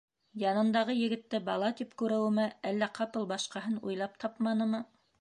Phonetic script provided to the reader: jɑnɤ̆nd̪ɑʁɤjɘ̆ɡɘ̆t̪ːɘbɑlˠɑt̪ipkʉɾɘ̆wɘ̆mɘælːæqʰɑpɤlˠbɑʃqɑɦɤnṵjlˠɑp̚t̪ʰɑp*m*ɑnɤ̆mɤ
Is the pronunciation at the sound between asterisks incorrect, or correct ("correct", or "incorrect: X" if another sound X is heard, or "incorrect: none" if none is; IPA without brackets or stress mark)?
correct